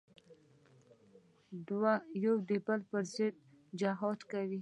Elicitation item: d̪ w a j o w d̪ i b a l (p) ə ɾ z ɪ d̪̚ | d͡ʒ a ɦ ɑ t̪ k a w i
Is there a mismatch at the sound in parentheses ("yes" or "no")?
no